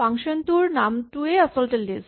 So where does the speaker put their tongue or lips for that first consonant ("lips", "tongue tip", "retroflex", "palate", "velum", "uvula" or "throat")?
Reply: velum